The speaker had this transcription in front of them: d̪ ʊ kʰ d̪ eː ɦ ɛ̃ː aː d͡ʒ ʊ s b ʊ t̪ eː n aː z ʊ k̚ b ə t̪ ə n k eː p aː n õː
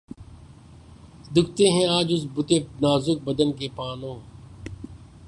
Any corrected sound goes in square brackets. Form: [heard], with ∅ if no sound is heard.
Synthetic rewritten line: d̪ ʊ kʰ [t̪] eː ɦ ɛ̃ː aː d͡ʒ ʊ s b ʊ t̪ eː n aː z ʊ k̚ b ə [d̪] ə n k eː p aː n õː